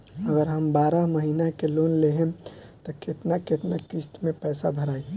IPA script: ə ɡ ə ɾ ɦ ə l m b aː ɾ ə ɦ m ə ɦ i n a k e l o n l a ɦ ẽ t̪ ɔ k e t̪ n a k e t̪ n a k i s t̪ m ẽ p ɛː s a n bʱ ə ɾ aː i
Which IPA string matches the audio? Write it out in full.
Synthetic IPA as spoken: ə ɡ ə ɾ ɦ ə m b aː ɾ ə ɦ m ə ɦ i n a k e l o n l e ɦ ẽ t̪ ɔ k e t̪ n a k e t̪ n a k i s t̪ m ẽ p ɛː s a bʱ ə ɾ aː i